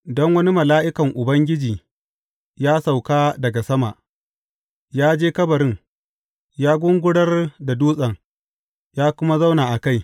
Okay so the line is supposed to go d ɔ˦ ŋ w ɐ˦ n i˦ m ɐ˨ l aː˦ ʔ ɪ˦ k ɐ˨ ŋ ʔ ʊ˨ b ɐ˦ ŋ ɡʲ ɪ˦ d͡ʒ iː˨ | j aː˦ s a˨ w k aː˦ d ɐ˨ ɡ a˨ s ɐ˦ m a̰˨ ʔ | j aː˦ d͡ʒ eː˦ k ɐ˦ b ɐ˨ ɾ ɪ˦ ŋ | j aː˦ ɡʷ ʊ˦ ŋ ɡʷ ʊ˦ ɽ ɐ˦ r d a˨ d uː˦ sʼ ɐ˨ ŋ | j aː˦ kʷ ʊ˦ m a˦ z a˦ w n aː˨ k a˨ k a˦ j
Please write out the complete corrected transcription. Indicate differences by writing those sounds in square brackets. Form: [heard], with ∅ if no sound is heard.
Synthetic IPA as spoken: d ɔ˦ ŋ w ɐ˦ n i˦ m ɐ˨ l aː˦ ʔ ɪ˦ k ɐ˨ ŋ ʔ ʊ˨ b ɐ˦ ŋ ɡʲ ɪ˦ d͡ʒ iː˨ | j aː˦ s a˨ w k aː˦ d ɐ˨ ɡ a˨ s ɐ˦ m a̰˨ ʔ | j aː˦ d͡ʒ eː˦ k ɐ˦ b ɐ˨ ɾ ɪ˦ ŋ | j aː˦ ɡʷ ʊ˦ ŋ ɡʷ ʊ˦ ɽ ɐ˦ r d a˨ d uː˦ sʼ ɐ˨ ŋ | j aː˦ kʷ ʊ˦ m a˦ z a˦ w n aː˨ [ʔ] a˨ k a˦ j